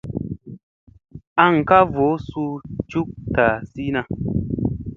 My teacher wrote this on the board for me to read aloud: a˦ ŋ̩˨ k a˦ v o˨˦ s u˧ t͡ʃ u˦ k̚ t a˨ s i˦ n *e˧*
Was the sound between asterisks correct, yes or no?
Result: no